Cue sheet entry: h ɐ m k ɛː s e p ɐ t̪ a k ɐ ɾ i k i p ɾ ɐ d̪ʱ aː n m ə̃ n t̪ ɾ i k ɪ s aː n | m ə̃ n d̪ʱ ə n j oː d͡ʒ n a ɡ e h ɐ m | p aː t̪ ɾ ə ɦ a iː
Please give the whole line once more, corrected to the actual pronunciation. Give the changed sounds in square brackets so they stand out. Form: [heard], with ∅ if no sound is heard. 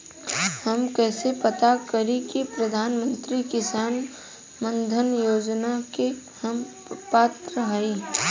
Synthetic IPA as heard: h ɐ m k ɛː s e p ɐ t̪ a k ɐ ɾ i k i p ɾ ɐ d̪ʱ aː n m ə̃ n t̪ ɾ i k ɪ s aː n | m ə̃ n d̪ʱ ə n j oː d͡ʒ n a [k] e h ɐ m | p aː t̪ ɾ ə ɦ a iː